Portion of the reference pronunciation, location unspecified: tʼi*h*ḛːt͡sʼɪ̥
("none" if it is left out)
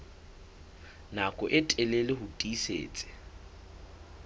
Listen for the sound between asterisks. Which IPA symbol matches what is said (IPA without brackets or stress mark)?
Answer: s